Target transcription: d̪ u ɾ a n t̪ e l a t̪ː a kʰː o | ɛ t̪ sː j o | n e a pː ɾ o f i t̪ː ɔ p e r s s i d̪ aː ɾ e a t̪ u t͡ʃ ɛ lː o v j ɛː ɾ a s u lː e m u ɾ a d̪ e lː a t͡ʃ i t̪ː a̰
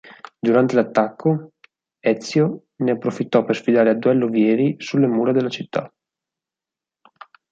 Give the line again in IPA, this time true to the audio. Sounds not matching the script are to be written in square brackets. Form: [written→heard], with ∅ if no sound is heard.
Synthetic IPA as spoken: d̪ u ɾ a n t̪ e l a t̪ː a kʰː o | ɛ t̪ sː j o | n e a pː ɾ o f i t̪ː ɔ p e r s [s→f] i d̪ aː ɾ e a [t̪→d̪] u [t͡ʃ→∅] ɛ lː o v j ɛː ɾ [a→i] s u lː e m [u→uː] ɾ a d̪ e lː a t͡ʃ i t̪ː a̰